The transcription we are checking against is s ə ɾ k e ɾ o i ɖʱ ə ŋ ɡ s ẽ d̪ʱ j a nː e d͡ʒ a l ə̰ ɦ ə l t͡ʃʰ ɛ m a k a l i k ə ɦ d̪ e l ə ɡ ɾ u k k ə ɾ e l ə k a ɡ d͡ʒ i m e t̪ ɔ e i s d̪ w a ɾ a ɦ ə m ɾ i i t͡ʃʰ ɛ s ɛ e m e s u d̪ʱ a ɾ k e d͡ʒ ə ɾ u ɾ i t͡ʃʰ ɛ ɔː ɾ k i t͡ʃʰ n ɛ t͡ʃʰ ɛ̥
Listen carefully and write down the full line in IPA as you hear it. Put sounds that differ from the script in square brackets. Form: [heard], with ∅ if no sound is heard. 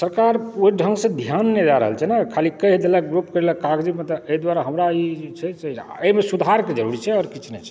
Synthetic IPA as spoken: s ə ɾ k [a] ɾ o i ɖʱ ə ŋ ɡ s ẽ d̪ʱ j a nː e d͡ʒ a [ɾ] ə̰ ɦ ə l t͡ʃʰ ɛ [n] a [kʰ] a l i k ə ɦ d̪ e l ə ɡ ɾ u [p] k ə ɾ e l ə k a ɡ d͡ʒ i m e t̪ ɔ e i [∅] d̪ w a ɾ a ɦ ə m ɾ [a] i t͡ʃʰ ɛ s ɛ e m e s u d̪ʱ a ɾ k e d͡ʒ ə ɾ u ɾ i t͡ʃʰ ɛ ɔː ɾ k i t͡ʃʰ n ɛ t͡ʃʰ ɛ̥